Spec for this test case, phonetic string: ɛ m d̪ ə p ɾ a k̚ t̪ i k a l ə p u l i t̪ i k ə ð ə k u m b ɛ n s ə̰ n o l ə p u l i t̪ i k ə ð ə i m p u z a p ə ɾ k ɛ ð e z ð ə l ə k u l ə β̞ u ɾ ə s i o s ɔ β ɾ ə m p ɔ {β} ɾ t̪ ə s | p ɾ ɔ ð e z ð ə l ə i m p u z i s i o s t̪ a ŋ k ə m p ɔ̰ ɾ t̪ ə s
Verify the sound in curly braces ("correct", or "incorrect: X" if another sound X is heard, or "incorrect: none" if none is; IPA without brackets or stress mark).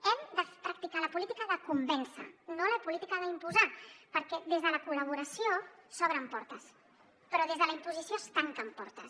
incorrect: none